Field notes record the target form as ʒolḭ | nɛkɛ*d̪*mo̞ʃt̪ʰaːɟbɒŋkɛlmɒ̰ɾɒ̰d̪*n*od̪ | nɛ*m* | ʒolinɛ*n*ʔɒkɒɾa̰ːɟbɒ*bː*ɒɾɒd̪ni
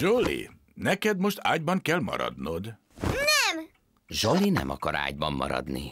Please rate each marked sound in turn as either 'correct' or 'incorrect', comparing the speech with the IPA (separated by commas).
correct, correct, correct, incorrect, incorrect